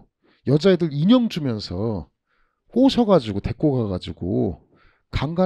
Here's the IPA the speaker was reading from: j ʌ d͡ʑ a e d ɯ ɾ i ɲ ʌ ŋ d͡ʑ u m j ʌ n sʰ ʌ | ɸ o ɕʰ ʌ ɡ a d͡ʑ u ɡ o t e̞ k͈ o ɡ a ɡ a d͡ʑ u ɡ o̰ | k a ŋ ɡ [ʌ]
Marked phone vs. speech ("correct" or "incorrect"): incorrect